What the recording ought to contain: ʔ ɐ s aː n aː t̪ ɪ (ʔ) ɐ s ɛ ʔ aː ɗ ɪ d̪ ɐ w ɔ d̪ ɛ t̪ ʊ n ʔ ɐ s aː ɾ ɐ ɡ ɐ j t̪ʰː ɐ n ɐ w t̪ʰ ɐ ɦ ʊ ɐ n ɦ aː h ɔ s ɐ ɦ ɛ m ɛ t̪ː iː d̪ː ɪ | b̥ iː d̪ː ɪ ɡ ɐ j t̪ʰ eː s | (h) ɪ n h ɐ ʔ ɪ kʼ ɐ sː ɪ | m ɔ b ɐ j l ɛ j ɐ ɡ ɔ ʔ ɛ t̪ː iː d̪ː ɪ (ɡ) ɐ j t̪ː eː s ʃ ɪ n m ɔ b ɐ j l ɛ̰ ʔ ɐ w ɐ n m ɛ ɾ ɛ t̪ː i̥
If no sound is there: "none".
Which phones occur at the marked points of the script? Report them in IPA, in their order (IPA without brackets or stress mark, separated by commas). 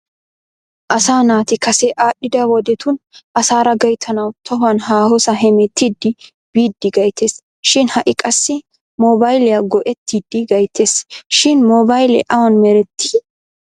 k, ʃ, ɡ